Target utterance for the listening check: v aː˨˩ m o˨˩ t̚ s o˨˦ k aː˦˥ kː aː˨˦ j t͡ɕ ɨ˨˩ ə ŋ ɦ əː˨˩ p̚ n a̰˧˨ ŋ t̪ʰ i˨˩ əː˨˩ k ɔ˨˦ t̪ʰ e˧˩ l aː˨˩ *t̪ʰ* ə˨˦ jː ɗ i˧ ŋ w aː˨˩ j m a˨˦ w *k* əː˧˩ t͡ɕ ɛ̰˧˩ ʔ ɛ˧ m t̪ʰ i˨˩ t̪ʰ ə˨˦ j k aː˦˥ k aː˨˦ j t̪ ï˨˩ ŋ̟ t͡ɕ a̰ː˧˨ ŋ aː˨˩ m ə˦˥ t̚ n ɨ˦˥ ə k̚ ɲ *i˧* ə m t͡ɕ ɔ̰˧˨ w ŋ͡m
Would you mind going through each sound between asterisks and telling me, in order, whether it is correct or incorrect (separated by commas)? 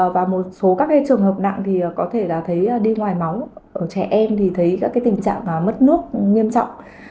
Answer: correct, incorrect, correct